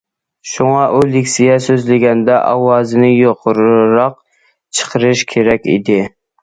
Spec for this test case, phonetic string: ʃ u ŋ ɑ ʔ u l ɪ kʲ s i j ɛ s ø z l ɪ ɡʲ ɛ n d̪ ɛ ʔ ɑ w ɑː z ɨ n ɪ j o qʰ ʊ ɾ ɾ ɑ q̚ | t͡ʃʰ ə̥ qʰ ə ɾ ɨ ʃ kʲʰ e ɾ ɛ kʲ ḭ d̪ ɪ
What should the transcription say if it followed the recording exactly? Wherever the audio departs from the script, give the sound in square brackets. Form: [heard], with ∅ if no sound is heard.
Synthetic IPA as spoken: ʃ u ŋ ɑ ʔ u l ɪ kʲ s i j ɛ s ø z l ɪ ɡʲ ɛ n d̪ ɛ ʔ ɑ w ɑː z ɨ n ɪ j o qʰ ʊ ɾ ɾ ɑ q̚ | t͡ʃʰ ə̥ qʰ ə ɾ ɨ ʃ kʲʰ e ɾ ɛ kʲ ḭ d̪ ɪ